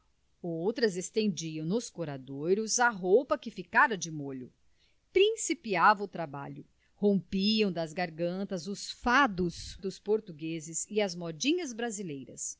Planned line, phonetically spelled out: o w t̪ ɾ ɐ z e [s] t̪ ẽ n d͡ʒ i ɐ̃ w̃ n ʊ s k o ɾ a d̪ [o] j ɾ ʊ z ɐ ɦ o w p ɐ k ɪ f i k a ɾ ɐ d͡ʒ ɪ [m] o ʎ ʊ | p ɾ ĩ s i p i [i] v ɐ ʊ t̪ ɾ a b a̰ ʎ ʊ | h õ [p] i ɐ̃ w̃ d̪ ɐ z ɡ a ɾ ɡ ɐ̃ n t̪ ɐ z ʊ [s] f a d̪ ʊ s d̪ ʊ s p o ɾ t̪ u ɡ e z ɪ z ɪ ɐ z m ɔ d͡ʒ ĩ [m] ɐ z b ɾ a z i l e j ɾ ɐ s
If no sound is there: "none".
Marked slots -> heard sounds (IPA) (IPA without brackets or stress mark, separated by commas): s, o, m, a, p, s, ɲ